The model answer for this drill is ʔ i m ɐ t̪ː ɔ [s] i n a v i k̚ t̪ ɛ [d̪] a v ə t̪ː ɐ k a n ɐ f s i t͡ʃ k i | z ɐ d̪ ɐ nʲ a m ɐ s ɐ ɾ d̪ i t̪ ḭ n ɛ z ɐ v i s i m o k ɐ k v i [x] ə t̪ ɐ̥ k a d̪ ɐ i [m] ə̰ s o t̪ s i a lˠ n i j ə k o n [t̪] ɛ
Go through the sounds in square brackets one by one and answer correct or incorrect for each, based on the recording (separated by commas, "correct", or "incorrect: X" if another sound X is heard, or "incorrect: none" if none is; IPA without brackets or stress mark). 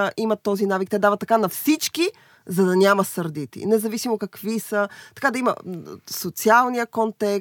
incorrect: z, correct, incorrect: s, correct, correct